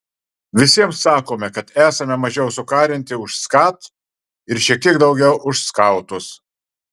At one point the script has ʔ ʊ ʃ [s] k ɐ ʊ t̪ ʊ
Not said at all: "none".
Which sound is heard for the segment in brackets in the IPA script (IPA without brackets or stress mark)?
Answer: s